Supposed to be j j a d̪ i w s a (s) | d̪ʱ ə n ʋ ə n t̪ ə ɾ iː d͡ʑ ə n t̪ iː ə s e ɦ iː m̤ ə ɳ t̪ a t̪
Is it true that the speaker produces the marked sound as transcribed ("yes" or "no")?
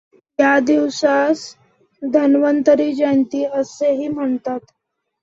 yes